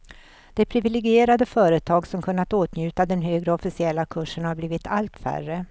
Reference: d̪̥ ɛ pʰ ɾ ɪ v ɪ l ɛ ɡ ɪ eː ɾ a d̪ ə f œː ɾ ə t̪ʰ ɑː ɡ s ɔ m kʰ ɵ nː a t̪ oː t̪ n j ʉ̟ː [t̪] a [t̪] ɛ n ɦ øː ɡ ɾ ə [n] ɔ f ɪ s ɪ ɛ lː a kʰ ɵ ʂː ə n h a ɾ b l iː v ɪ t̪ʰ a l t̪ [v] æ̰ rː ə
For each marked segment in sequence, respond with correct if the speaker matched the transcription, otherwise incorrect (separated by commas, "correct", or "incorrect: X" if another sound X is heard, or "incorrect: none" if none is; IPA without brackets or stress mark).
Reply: correct, incorrect: d̪, incorrect: none, incorrect: f